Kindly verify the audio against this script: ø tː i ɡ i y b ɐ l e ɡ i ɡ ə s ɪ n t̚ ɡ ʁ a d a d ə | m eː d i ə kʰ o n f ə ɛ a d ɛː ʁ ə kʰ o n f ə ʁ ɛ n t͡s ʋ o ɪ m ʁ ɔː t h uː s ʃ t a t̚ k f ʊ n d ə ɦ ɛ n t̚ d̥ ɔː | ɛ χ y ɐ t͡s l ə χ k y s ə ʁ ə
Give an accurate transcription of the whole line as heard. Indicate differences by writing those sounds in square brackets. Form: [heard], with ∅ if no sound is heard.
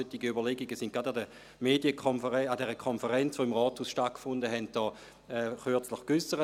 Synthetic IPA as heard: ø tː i ɡ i y b ɐ l e ɡ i ɡ ə s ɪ n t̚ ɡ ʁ a d a d ə | m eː d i ə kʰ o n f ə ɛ a d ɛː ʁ ə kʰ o n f ə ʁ ɛ n t͡s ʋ o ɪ m ʁ ɔː t h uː s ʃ t a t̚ k f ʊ n d ə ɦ ɛ n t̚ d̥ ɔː | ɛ χ y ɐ t͡s l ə χ k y s ə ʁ ə